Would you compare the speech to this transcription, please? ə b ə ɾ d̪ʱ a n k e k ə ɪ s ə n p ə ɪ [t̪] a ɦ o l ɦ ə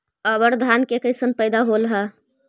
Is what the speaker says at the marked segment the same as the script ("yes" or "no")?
no